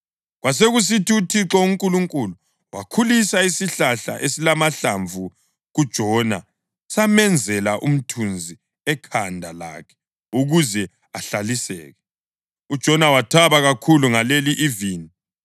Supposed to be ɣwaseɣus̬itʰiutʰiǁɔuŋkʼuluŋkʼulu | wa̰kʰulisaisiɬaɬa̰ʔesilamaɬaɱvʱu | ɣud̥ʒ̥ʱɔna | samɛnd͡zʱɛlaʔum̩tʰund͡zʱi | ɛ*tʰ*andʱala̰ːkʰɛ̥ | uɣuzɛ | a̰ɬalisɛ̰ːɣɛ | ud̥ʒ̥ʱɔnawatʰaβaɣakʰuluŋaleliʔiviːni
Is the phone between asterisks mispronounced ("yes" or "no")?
yes